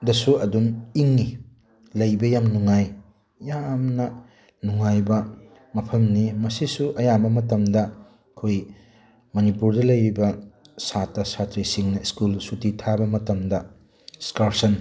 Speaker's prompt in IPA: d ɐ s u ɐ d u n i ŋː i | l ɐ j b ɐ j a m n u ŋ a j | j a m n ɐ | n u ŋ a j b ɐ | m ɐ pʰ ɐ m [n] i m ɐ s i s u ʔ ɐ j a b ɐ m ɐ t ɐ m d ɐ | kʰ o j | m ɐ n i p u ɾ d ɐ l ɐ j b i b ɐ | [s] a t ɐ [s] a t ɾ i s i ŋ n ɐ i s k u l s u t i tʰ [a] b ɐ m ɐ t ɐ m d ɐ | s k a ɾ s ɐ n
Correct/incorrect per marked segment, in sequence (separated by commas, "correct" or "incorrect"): correct, correct, correct, correct